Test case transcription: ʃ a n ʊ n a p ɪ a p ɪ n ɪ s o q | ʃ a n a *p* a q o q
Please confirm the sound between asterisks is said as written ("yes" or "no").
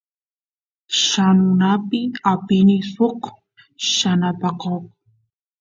yes